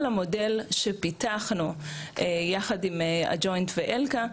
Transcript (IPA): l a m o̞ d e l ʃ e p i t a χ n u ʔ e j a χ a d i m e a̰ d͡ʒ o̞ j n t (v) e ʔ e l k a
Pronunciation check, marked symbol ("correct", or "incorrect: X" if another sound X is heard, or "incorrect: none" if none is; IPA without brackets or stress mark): correct